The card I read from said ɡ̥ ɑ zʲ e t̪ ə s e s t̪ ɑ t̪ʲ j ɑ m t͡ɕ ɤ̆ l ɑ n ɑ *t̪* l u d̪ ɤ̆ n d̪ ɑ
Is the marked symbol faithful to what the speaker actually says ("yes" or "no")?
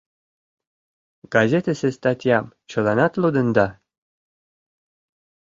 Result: yes